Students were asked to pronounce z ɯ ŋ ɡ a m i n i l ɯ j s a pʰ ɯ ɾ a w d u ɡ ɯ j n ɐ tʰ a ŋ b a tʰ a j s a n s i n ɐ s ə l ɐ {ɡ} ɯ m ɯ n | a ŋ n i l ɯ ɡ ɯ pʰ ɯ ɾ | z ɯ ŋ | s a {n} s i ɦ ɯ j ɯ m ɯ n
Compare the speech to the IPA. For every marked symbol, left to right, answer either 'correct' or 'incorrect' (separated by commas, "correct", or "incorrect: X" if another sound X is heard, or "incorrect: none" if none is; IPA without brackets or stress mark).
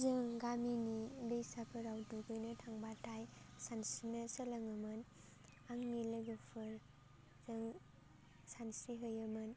incorrect: ŋ, correct